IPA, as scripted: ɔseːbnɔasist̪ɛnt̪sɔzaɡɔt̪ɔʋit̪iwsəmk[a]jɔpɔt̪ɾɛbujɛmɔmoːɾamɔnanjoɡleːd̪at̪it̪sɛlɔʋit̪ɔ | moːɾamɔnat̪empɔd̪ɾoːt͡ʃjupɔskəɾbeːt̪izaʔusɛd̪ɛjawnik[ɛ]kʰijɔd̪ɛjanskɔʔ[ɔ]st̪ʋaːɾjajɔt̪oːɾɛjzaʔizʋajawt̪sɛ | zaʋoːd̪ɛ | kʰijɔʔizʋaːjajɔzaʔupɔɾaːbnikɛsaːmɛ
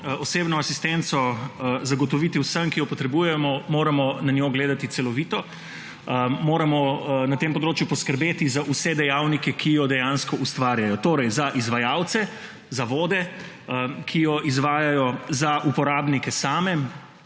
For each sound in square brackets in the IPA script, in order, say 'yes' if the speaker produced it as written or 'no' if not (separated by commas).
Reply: no, yes, no